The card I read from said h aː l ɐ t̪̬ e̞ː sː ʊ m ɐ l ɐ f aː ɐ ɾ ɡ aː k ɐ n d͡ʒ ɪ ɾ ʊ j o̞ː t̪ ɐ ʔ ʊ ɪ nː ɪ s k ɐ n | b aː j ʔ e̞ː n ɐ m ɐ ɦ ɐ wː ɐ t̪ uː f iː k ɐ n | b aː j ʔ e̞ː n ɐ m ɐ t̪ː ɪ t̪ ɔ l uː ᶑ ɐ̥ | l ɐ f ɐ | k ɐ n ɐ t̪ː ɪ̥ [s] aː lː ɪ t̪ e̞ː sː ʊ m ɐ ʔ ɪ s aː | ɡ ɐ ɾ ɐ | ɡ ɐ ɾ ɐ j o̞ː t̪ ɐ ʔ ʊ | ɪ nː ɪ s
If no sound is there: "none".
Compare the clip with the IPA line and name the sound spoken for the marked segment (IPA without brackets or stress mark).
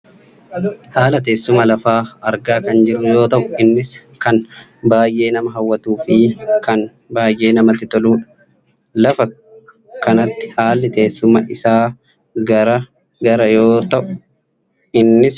h